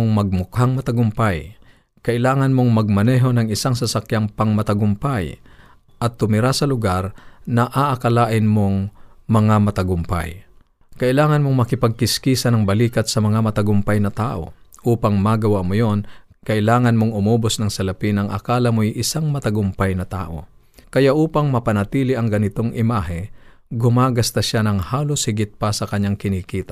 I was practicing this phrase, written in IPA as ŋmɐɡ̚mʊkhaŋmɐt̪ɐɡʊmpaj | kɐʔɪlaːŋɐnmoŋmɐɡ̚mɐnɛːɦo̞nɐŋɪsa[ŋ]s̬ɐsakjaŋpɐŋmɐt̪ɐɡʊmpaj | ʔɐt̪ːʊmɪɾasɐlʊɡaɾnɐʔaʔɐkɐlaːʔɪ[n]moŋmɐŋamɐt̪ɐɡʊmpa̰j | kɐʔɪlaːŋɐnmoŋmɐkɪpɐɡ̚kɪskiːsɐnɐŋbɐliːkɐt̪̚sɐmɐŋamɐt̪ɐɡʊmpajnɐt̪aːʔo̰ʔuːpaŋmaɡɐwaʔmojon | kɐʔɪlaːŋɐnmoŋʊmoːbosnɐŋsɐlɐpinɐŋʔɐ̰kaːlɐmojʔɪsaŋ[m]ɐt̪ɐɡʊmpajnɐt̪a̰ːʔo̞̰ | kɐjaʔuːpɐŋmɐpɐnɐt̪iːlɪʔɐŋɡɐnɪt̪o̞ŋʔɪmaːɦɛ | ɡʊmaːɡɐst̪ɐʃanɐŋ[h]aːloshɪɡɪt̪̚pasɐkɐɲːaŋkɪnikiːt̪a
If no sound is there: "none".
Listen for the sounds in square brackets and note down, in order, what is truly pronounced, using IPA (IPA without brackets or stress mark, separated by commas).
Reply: ŋ, n, m, h